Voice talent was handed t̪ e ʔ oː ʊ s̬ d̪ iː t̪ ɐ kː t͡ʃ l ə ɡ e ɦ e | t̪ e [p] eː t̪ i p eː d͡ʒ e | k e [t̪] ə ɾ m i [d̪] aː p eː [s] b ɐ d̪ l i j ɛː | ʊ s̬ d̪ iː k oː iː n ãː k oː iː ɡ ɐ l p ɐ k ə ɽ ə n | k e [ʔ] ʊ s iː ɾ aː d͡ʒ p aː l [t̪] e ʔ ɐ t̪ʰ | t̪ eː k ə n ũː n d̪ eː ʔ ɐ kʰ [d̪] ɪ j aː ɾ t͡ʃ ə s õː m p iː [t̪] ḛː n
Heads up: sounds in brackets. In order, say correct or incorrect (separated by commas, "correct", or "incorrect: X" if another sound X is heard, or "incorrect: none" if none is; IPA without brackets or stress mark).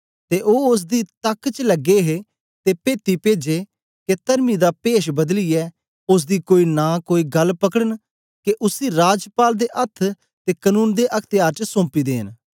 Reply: correct, correct, correct, incorrect: ʃ, correct, incorrect: d̪, incorrect: t̪, incorrect: d̪